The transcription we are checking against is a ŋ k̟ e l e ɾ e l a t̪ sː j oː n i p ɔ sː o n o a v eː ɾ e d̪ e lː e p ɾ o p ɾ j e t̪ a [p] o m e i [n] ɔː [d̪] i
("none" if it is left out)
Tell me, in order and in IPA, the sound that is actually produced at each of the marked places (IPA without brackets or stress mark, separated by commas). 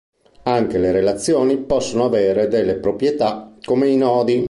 k, n, d̪